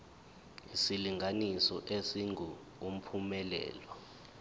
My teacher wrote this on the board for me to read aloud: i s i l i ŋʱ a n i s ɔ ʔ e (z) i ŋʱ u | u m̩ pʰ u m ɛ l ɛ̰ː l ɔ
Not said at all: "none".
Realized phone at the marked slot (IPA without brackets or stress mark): s